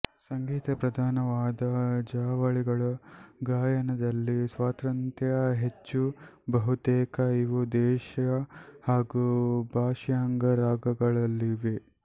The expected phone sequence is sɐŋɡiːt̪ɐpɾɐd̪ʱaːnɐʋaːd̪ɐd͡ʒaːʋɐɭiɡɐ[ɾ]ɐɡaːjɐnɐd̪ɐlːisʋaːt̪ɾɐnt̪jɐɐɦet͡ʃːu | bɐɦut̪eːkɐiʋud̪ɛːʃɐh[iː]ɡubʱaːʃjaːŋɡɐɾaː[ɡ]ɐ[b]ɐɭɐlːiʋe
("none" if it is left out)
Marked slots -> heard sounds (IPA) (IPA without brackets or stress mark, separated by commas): ɭ, aː, ɡ, ɡ